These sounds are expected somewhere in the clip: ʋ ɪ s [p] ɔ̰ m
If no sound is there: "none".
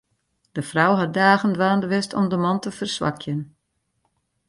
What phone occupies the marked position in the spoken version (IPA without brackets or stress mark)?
t